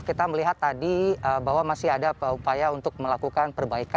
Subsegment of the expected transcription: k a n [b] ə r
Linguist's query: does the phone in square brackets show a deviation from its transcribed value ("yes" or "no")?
yes